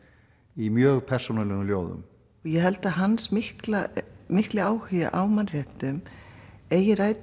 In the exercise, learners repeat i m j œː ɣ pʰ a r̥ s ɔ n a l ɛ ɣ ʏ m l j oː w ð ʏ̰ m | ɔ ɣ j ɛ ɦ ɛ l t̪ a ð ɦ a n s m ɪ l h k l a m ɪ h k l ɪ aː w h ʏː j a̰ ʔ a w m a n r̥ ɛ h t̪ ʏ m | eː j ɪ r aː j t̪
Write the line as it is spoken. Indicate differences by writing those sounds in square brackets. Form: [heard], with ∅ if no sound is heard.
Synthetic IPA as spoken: i m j œː ɣ pʰ [ɛ] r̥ s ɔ n a l ɛ ɣ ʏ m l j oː w ð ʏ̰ m | ɔ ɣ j ɛ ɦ ɛ l t̪ a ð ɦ a n s m ɪ [∅] h k l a m ɪ h k l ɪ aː w h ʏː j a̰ ʔ a w m a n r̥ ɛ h t̪ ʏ m | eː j ɪ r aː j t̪